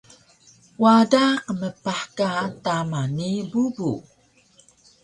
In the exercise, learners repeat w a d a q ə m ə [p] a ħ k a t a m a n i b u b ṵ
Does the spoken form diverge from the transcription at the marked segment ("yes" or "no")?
no